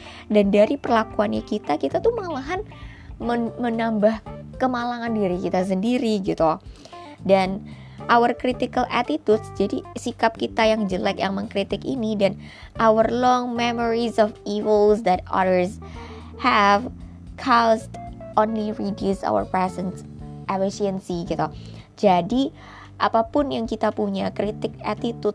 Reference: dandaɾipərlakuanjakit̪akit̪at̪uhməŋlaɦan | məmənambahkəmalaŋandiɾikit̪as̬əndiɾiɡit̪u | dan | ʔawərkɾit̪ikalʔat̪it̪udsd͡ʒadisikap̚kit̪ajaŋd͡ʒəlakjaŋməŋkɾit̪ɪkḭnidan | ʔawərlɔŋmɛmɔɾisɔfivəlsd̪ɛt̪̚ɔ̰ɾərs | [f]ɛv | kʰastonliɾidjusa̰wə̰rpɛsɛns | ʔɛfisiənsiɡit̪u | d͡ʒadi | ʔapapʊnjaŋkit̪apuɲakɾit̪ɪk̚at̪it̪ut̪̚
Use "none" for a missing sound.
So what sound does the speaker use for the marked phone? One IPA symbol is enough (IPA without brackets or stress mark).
h